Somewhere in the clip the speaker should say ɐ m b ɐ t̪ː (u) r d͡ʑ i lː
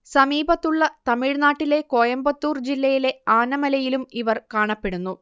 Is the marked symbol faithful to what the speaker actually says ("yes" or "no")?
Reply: no